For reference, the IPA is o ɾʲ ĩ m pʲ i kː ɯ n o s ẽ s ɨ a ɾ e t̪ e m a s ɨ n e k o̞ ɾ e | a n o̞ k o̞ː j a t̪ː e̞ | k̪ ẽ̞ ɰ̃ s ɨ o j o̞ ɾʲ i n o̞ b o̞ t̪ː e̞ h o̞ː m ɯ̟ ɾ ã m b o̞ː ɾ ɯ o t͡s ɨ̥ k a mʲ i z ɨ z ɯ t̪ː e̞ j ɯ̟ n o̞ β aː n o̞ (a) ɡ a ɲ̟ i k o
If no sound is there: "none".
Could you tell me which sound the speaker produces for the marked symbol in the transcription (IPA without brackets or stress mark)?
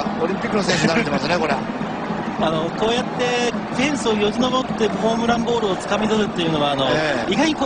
i